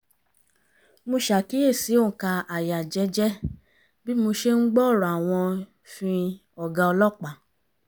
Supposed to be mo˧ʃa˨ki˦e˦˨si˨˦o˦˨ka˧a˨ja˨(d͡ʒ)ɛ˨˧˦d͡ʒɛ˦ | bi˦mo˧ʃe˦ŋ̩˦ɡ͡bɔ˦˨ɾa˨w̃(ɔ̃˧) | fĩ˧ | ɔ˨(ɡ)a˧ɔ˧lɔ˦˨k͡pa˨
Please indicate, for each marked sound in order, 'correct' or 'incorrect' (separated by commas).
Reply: correct, correct, correct